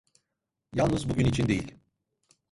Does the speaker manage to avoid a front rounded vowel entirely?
no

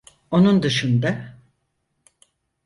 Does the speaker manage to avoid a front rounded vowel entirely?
yes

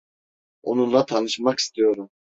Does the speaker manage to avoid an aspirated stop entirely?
no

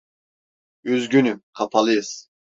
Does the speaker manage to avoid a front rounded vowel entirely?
no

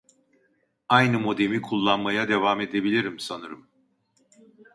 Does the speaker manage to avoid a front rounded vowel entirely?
yes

